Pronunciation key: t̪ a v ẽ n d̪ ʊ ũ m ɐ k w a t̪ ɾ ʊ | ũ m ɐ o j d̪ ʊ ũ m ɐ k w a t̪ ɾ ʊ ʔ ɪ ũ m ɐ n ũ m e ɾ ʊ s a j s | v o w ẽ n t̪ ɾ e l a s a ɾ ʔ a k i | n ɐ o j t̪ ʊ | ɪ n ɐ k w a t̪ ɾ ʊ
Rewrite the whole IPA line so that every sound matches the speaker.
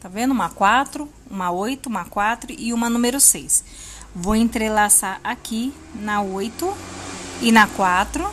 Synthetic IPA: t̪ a v ẽ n d̪ ʊ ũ m ɐ k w a t̪ ɾ ʊ | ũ m ɐ o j t̪ ʊ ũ m ɐ k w a t̪ ɾ ʊ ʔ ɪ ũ m ɐ n ũ m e ɾ ʊ s e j s | v o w ẽ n t̪ ɾ e l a s a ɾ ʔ a k i | n ɐ o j t̪ ʊ | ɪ n ɐ k w a t̪ ɾ ʊ